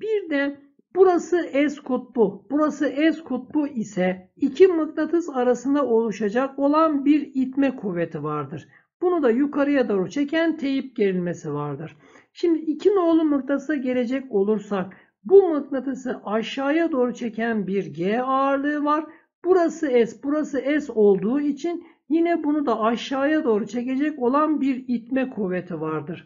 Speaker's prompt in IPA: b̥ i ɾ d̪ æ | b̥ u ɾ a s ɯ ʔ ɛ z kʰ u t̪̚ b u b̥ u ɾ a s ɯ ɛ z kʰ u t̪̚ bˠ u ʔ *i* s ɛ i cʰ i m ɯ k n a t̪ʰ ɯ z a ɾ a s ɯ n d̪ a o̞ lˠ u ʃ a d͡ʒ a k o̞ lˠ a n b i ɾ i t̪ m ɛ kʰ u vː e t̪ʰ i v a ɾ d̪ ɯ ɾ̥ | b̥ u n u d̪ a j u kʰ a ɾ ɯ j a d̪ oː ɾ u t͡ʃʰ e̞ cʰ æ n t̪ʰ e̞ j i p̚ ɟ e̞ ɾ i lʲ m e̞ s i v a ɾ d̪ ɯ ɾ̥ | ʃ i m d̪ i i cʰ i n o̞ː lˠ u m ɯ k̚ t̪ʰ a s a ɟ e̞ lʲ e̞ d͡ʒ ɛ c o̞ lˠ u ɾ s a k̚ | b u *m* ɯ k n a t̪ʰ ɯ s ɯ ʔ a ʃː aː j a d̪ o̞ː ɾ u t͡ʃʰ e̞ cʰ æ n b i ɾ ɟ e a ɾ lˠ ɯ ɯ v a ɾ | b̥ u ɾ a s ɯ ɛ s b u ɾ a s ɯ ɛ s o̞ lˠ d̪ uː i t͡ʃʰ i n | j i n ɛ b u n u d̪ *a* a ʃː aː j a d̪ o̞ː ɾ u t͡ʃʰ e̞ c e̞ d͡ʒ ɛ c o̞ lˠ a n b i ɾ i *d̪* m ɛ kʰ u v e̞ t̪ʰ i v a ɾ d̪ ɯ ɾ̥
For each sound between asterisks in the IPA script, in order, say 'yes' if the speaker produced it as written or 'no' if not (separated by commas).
yes, yes, yes, no